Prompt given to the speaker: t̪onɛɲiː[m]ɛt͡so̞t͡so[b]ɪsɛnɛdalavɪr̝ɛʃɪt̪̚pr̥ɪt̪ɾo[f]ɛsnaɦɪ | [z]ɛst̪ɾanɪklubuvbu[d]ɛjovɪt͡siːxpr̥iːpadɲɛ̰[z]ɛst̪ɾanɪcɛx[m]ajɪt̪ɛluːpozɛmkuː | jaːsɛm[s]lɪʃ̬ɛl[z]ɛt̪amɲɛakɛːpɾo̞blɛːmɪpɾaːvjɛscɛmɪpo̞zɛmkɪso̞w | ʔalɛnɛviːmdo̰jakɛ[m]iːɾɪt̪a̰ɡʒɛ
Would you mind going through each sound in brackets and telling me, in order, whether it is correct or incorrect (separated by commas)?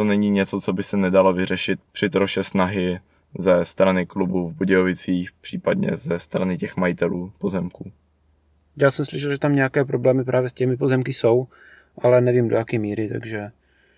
incorrect, correct, incorrect, correct, incorrect, correct, correct, correct, incorrect, correct